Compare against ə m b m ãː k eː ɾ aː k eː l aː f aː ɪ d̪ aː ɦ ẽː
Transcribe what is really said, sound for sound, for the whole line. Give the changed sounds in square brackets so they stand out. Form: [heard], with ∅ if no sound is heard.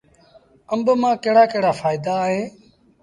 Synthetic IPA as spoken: ə m b m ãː k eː [ɽ] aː k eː [ɽ] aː f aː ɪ d̪ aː ɦ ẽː